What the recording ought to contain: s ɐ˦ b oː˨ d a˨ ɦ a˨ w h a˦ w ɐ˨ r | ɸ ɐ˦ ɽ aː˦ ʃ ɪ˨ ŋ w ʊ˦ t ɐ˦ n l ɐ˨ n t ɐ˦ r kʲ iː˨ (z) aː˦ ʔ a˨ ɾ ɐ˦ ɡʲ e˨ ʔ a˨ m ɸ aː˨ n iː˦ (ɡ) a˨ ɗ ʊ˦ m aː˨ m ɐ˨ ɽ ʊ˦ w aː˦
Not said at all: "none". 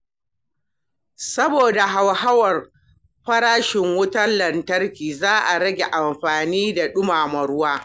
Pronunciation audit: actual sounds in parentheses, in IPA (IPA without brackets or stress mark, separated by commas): z, d